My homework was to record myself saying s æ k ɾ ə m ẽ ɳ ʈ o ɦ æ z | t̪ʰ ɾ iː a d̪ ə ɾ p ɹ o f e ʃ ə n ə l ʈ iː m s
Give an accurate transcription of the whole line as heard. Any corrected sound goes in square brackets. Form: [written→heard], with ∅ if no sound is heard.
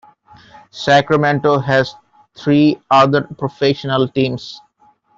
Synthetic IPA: s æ k ɾ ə m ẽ ɳ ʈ o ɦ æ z | t̪ʰ ɾ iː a d̪ ə ɾ p [ɹ→ɾ] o f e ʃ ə n ə l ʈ [iː→ĩː] m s